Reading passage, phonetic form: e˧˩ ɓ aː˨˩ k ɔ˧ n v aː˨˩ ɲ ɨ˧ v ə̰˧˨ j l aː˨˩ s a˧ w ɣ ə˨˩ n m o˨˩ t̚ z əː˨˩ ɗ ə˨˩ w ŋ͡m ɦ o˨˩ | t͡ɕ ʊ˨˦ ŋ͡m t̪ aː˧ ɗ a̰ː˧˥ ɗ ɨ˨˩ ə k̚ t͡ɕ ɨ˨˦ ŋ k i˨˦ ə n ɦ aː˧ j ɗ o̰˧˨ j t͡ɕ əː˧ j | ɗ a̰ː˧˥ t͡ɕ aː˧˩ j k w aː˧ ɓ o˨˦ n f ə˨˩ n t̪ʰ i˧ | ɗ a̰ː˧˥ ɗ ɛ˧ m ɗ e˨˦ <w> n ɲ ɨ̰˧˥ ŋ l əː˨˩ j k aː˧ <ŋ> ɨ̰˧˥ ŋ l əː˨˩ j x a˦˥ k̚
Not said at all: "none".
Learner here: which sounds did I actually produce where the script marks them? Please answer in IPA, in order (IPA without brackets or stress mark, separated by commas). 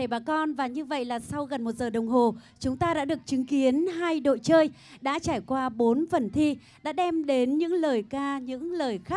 none, ɲ